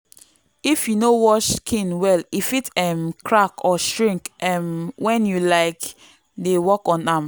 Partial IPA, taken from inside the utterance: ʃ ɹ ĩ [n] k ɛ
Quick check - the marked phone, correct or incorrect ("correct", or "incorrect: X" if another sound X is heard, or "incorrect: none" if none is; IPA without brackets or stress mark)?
incorrect: ŋ